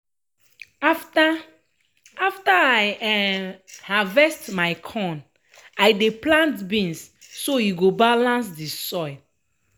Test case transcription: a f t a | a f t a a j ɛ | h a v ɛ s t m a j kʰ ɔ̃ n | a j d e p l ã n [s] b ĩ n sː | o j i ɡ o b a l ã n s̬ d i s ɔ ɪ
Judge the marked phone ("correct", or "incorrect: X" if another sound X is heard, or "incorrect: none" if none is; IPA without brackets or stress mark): incorrect: t